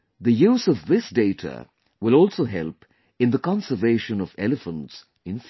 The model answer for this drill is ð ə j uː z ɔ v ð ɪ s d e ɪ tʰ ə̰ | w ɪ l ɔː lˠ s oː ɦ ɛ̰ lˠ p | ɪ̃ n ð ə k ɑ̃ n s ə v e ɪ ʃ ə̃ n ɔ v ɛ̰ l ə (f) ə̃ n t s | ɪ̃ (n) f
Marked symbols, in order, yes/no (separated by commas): yes, yes